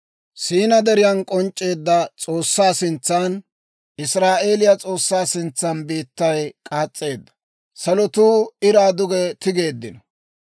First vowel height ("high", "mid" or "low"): high